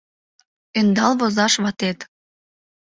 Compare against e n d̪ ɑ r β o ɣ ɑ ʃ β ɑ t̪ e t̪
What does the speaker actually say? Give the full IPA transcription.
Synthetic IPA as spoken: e n d̪ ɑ l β o z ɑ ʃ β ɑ t̪ e t̪